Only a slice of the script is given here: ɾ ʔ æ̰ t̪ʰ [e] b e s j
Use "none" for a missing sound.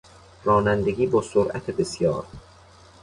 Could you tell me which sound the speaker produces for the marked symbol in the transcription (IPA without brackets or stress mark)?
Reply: e